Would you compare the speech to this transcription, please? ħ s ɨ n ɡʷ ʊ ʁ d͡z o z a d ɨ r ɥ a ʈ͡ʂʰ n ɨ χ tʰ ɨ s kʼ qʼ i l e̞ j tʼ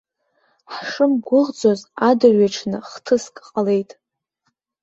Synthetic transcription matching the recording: ħ ʂ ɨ m ɡʷ ʊ ʁ d͡z o z a d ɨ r ɥ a ʈ͡ʂʰ n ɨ χ tʰ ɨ s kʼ qʼ a l e̞ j tʼ